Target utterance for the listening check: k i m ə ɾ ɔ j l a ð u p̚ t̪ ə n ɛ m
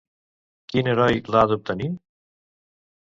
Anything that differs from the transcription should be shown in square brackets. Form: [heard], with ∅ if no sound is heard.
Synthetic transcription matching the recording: k i [n] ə ɾ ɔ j l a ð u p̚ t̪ ə n [i] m